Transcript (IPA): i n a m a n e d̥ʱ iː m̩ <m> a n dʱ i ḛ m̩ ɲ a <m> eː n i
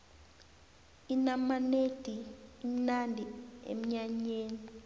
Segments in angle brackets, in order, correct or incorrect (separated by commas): incorrect, incorrect